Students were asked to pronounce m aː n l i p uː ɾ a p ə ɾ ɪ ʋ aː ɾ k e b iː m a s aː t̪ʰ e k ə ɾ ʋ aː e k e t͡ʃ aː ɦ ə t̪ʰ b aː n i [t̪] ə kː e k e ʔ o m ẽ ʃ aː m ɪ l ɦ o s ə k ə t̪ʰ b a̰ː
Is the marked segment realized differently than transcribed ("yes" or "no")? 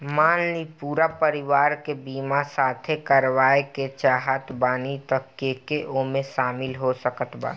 no